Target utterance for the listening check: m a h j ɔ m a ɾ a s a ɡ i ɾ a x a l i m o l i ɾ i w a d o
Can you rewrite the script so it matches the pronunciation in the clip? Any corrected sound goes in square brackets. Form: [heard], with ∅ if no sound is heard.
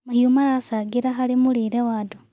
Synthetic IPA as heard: m a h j [u] m a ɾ a s a ɡ i ɾ a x a l i m [u] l i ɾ [e] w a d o

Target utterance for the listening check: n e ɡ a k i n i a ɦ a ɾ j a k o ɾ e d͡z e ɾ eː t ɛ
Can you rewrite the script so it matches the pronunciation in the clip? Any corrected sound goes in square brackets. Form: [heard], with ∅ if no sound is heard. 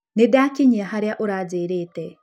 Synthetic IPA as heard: n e [d] a k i [ɲ] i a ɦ a ɾ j a [ʔ] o ɾ [a] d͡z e ɾ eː t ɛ

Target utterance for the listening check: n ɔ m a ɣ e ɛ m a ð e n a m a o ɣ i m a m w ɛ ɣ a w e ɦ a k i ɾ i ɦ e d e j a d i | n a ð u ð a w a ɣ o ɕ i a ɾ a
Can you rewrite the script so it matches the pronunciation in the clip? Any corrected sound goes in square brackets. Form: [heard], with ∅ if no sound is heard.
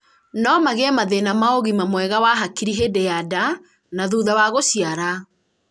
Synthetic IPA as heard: n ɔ m a ɣ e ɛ m a ð e n a m a o ɣ i m a m w ɛ ɣ a w [a] ɦ a k i ɾ i ɦ e d e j a d [a] | n a ð u ð a w a ɣ o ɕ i a ɾ a

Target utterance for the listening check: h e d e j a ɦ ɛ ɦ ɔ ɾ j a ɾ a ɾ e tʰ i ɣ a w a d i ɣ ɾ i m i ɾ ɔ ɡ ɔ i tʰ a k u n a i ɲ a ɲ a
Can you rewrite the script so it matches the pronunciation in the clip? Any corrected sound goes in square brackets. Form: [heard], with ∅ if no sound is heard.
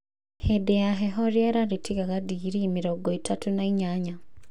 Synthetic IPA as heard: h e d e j a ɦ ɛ ɦ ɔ ɾ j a ɾ a ɾ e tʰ i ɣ a [ɣ] a d i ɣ ɾ i m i ɾ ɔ ɡ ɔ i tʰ a [t] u n a i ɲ a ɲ a

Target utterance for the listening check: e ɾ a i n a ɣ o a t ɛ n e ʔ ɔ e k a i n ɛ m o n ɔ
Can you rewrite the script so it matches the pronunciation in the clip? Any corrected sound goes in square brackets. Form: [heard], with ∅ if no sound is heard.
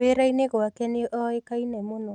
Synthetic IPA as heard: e ɾ a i n [e] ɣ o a [k] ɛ n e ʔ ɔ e k a i n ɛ m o n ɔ

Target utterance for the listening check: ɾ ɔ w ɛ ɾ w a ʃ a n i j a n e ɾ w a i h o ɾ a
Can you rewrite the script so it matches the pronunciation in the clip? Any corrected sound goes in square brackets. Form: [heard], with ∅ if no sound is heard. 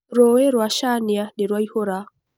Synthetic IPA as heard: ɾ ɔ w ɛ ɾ w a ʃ a n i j a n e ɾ w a i h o ɾ a

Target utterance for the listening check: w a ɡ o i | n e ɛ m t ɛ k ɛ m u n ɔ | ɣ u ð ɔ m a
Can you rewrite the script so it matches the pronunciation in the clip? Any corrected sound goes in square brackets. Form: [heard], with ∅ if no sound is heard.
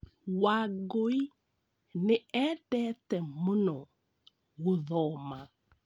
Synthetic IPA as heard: w a ɡ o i | n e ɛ [∅] t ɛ [t] ɛ m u n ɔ | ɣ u ð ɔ m a

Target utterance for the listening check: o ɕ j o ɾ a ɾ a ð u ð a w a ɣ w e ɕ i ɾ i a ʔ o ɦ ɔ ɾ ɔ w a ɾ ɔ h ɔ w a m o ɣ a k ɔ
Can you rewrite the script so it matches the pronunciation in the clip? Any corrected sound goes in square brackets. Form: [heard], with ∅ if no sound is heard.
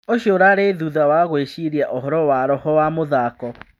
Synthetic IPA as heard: o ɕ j o ɾ a ɾ [e] ð u ð a w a ɣ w e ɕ i ɾ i a ʔ o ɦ ɔ ɾ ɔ w a ɾ ɔ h ɔ w a m o [ð] a k ɔ

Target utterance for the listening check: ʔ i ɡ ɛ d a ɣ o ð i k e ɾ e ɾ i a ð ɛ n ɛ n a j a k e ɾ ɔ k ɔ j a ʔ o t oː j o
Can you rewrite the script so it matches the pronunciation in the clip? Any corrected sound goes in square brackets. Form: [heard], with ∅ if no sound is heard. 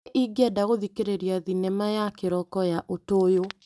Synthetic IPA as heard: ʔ i ɡ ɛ d a ɣ o ð i k e ɾ e ɾ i a ð [i] n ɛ [m] a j a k e ɾ ɔ k ɔ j a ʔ o t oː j o

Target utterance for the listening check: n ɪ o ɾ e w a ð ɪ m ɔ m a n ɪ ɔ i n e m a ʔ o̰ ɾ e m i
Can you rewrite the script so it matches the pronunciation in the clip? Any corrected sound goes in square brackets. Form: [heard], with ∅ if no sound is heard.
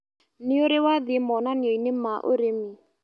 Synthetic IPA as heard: n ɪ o ɾ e w a ð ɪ m ɔ [n] a n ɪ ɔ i n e m a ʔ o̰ ɾ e m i

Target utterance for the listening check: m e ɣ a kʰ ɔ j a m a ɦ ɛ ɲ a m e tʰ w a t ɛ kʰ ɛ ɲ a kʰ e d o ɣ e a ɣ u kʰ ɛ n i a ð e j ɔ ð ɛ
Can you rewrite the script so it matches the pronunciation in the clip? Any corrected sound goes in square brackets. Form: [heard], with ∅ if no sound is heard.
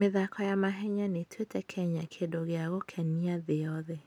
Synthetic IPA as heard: m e [ð] a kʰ ɔ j a m a ɦ ɛ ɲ a [n] e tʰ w [e] t ɛ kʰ ɛ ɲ a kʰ e d o ɣ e a ɣ [o] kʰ ɛ n i a ð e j ɔ ð ɛ

